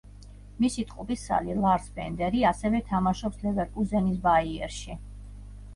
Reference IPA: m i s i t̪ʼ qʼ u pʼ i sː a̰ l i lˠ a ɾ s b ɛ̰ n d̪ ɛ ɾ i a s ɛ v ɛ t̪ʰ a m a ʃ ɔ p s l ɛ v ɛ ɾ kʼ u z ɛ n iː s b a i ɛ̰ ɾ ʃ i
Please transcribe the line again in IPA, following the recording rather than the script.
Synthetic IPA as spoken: m i s i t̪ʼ qʼ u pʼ i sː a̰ l i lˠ a ɾ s b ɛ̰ n d̪ ɛ ɾ i a s ɛ v ɛ t̪ʰ a m a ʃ ɔ p s l ɛ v ɛ ɾ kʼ u z ɛ n i s b a i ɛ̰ ɾ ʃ i